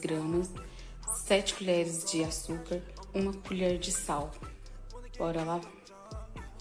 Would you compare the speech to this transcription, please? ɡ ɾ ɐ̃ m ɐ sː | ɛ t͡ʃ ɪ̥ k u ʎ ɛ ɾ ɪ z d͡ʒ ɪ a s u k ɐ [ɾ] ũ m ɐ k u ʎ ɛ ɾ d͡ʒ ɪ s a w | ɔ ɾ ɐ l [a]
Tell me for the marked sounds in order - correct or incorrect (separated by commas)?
correct, correct